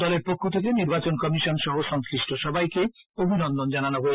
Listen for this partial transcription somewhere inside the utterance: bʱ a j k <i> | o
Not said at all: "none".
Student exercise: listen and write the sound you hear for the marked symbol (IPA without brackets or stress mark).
e